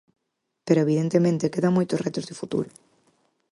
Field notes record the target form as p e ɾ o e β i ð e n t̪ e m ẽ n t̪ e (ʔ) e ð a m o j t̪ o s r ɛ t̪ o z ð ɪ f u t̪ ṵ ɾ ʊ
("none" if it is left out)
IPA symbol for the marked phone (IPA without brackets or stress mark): k